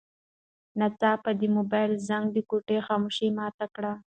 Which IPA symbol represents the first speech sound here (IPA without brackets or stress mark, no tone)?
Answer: n